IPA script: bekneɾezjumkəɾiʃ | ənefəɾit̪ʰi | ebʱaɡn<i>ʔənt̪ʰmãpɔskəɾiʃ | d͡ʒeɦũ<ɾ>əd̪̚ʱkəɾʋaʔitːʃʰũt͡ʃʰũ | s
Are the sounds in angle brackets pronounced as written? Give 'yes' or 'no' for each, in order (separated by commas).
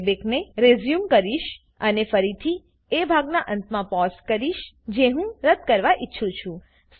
no, yes